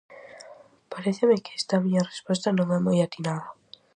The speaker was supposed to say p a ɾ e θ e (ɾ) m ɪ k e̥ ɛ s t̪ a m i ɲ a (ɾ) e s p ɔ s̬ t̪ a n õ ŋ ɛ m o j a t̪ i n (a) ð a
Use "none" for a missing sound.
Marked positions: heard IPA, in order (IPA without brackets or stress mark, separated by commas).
none, r, a